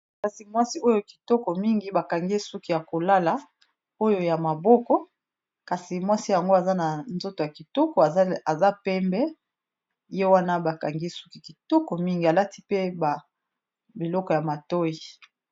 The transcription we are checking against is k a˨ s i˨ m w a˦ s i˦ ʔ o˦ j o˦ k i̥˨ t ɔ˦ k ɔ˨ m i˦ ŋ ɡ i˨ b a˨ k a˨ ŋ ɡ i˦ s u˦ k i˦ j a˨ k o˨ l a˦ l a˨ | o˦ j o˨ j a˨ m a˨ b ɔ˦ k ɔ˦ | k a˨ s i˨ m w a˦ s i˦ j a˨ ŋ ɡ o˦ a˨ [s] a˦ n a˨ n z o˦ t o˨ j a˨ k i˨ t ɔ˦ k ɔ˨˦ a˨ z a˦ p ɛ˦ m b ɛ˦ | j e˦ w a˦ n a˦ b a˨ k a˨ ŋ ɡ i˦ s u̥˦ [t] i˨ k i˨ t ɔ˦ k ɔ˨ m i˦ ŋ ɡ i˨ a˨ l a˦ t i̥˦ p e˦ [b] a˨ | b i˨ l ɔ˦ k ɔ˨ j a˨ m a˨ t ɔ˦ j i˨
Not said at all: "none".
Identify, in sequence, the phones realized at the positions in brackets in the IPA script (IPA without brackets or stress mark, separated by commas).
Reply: z, k, b